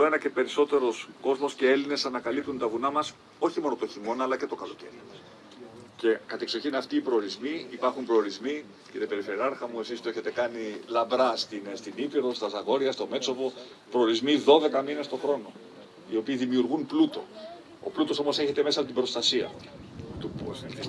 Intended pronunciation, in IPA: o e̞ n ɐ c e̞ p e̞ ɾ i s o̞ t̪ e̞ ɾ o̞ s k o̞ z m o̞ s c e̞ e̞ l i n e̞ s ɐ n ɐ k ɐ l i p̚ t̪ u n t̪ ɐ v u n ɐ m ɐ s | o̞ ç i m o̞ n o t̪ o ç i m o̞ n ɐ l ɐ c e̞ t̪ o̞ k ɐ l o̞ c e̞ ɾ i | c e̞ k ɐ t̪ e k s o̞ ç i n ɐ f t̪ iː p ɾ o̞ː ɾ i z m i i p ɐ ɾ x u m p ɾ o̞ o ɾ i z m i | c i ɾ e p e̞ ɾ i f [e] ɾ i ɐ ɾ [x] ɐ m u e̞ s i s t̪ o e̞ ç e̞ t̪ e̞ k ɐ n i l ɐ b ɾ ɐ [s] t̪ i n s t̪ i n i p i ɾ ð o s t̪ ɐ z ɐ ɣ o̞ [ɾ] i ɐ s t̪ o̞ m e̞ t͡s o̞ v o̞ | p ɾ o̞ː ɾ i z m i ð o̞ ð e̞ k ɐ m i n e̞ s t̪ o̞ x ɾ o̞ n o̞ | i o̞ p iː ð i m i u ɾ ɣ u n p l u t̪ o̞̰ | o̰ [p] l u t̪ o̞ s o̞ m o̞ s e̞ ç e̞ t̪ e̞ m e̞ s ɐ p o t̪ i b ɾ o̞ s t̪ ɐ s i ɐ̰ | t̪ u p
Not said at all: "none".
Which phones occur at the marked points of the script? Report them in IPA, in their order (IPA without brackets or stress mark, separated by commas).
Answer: e, x, s, ɾ, p